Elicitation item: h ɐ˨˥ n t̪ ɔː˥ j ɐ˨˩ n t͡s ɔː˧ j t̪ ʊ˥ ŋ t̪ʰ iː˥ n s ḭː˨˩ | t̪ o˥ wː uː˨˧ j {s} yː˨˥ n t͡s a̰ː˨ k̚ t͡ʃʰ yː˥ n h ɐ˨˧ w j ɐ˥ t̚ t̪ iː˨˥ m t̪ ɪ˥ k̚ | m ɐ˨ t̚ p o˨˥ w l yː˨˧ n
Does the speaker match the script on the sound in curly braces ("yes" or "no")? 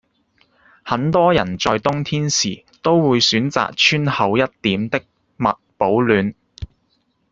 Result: yes